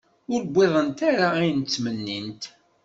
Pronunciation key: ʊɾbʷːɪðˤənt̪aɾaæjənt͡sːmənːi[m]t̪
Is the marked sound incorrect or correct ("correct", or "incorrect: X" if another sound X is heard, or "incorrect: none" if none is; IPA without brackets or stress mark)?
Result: incorrect: n